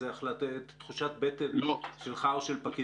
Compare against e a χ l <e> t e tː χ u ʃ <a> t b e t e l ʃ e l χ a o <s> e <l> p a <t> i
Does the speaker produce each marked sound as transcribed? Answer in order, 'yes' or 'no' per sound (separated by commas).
no, yes, no, yes, no